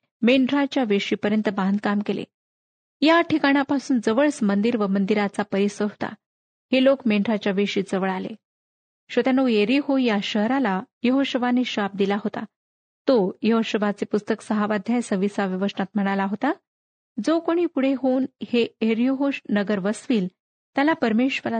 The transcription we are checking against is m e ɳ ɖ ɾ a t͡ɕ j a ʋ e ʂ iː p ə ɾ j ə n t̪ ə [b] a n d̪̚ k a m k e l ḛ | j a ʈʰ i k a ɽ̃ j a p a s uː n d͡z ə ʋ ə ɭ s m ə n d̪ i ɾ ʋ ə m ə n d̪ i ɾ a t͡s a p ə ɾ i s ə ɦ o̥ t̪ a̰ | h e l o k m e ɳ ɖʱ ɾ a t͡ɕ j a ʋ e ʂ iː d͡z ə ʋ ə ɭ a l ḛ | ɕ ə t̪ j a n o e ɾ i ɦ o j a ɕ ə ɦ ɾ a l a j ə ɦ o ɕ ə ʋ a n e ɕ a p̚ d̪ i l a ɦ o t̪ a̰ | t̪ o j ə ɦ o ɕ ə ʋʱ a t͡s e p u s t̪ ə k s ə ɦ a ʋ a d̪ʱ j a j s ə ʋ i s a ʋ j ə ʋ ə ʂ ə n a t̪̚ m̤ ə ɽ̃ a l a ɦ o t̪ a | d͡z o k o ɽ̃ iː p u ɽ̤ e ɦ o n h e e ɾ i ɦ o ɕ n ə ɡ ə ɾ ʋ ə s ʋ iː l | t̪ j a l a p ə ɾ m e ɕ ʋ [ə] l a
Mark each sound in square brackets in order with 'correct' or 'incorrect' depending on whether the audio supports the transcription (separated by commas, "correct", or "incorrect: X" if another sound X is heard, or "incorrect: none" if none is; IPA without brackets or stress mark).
correct, correct